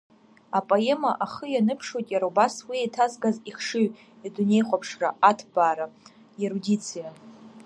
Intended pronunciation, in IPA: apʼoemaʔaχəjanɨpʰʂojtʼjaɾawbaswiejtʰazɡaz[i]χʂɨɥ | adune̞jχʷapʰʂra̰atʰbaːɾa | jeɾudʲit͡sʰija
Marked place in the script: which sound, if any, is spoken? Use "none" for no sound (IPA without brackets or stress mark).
i